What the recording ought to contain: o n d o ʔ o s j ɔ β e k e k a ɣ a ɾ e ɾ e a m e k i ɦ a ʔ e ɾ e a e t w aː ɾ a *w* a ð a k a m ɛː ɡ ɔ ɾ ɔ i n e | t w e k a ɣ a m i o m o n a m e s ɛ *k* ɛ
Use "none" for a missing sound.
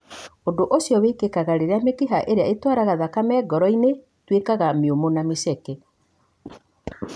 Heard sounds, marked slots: ɣ, k

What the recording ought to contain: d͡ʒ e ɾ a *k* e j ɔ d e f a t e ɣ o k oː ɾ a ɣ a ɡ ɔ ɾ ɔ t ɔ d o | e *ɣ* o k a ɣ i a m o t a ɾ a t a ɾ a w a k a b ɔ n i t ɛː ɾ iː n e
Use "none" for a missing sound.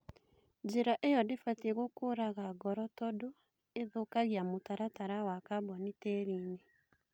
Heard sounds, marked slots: ʔ, ð

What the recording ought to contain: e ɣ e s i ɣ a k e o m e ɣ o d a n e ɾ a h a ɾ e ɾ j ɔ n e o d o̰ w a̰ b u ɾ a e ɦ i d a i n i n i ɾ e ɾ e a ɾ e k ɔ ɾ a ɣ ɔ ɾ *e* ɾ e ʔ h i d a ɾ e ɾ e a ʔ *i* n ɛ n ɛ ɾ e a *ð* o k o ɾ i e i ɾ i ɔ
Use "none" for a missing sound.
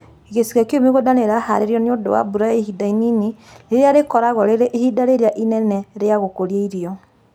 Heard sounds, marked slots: e, i, ɣ

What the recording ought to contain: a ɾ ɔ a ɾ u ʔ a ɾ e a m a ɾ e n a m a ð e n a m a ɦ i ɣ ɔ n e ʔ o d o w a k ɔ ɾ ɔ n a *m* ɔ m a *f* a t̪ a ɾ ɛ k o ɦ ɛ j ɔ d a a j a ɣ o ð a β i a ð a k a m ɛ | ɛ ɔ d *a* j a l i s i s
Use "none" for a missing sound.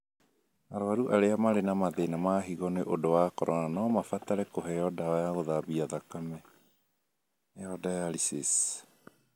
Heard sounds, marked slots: n, f, a

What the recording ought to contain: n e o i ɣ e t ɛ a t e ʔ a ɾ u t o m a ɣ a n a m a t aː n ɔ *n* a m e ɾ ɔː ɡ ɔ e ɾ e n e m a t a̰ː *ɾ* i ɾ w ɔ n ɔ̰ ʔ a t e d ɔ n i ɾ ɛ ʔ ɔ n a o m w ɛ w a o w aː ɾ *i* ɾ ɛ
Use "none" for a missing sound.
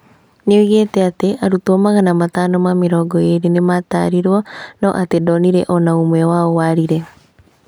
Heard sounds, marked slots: m, ɾ, i

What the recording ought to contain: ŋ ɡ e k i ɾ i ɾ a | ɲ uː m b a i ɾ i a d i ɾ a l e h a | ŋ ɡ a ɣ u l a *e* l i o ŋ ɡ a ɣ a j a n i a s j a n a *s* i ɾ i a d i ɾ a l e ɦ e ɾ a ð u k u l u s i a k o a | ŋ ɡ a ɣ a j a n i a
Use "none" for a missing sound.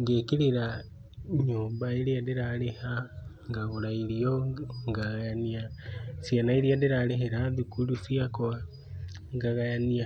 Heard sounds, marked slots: i, none

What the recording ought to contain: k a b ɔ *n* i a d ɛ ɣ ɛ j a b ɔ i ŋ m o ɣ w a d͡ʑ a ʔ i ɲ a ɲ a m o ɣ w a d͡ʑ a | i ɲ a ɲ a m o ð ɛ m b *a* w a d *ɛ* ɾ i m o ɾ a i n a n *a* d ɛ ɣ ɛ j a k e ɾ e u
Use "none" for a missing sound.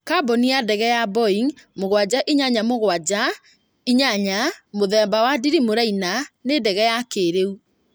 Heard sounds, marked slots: n, a, i, e

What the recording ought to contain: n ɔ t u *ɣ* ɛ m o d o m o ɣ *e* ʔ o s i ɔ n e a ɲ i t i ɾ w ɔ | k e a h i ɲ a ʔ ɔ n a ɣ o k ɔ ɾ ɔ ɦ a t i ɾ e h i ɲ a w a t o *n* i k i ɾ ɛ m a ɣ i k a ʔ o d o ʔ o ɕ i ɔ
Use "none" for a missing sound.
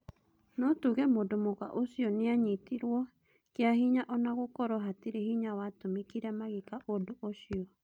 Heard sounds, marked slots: ɣ, a, m

